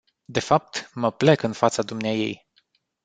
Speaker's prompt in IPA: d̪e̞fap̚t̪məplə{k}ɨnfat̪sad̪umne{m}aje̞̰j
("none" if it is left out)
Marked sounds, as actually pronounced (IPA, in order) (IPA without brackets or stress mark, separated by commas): k, none